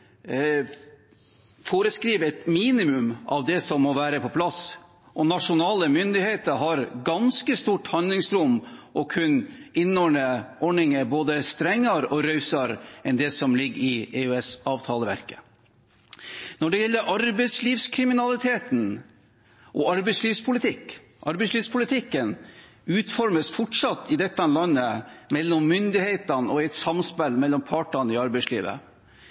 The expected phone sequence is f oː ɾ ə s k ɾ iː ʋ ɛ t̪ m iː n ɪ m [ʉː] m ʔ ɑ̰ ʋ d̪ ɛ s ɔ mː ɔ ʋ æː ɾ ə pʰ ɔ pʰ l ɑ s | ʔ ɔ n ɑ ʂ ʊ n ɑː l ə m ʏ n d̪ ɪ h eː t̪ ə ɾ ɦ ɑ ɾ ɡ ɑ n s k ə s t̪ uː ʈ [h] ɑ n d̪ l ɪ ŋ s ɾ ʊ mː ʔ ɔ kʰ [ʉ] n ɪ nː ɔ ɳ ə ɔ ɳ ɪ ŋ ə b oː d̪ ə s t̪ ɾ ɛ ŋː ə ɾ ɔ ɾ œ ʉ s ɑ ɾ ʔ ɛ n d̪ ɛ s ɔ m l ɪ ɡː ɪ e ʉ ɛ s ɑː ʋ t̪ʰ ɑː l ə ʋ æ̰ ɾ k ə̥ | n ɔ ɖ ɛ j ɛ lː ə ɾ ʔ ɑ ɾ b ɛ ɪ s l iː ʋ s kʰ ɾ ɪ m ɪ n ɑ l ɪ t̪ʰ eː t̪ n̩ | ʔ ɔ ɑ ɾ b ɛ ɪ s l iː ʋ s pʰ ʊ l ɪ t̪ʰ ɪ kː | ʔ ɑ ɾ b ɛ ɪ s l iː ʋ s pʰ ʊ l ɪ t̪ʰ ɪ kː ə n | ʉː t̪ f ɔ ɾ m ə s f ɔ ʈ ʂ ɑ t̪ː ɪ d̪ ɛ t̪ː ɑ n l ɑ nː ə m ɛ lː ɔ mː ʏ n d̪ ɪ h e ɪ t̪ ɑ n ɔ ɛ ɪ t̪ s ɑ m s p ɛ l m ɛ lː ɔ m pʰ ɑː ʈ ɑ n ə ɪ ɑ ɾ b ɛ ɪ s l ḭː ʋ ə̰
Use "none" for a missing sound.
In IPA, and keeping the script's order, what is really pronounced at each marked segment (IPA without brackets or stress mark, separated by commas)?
ʉ, h, ʉ